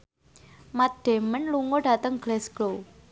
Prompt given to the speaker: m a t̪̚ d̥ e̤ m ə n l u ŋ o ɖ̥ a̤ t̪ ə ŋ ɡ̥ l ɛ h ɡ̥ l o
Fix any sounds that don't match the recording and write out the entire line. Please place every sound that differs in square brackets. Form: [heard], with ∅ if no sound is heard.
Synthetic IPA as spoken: m a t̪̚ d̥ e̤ m ə n l u ŋ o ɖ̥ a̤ t̪ ə ŋ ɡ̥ l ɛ [s] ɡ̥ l o